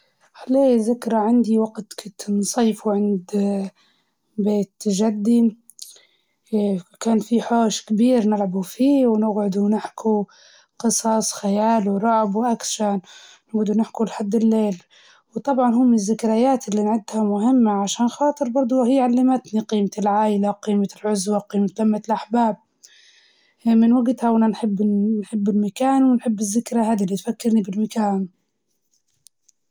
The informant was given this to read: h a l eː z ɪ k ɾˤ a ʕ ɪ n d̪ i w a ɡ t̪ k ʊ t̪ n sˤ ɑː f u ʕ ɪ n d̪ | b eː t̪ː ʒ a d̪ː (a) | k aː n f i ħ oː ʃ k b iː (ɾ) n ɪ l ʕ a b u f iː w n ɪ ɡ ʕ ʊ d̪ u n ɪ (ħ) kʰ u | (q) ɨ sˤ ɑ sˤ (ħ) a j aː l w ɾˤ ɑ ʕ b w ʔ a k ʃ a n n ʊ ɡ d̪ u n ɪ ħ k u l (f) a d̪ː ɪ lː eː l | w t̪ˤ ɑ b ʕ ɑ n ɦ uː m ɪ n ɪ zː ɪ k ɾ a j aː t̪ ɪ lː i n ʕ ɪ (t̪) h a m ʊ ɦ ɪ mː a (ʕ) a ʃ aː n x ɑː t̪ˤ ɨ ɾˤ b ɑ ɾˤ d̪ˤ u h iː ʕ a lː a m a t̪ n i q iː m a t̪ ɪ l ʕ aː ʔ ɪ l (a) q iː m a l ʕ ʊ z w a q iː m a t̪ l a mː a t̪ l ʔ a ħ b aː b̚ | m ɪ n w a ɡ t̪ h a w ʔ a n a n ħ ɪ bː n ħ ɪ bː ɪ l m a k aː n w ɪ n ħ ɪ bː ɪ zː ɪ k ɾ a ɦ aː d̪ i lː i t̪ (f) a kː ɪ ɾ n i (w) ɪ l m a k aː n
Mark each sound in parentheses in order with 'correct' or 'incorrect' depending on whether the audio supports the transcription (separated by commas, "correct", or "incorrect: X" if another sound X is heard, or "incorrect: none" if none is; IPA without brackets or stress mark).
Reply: incorrect: i, correct, correct, correct, incorrect: x, incorrect: ħ, incorrect: d̪, correct, correct, correct, incorrect: b